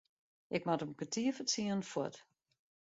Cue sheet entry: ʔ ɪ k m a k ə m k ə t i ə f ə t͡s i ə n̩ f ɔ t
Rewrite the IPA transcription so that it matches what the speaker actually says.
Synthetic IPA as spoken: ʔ ɪ k m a t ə m k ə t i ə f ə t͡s i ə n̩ f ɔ t